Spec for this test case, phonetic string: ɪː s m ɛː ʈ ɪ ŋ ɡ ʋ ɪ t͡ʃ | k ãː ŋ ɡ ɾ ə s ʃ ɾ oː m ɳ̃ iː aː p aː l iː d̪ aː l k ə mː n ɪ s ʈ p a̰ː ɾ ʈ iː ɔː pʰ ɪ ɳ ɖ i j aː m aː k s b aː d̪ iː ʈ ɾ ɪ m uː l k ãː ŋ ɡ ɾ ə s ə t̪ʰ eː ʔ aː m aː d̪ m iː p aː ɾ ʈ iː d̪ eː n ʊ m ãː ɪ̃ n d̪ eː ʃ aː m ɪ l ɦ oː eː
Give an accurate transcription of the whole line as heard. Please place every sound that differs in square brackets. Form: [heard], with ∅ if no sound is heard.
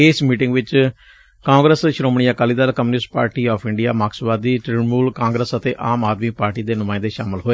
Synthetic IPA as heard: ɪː s m [iː] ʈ ɪ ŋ ɡ ʋ ɪ t͡ʃ | k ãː ŋ ɡ ɾ ə s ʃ ɾ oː m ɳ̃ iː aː [k] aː l iː d̪ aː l k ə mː n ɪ s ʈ p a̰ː ɾ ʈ iː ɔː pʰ ɪ ɳ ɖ i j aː m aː k s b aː d̪ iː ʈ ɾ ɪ m uː l k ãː ŋ ɡ ɾ ə s ə [t̪] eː ʔ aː m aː d̪ m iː p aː ɾ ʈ iː d̪ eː n ʊ m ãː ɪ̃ n d̪ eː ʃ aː m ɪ l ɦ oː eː